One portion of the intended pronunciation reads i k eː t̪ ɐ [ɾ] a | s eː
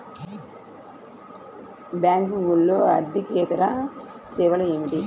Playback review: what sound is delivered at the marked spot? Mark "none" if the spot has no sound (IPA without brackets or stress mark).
ɾ